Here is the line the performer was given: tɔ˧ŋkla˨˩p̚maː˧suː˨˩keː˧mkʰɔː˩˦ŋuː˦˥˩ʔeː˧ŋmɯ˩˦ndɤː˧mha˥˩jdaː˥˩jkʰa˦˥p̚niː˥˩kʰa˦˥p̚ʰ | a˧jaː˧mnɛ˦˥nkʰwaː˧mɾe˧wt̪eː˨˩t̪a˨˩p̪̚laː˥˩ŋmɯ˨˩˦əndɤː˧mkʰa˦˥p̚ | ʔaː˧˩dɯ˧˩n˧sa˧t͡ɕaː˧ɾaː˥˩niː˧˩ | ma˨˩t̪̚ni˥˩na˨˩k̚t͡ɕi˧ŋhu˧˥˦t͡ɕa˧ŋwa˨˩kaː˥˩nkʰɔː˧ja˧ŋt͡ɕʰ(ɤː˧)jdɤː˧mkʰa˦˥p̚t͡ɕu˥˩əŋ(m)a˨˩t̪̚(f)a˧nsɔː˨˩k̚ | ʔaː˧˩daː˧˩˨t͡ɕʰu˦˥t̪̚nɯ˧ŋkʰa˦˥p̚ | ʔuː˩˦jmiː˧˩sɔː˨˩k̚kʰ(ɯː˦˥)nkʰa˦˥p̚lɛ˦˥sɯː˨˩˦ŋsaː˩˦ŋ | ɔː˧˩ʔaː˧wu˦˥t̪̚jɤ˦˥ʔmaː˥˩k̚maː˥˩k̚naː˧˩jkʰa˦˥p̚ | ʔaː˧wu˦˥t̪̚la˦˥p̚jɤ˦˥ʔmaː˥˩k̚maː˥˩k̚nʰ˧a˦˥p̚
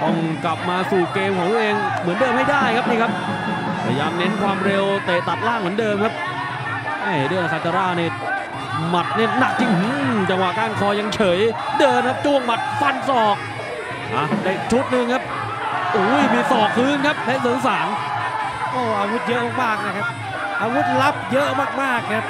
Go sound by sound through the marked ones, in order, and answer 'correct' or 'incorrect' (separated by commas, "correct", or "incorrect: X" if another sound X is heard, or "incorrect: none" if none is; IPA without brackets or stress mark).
incorrect: ɤː˩˦, correct, correct, correct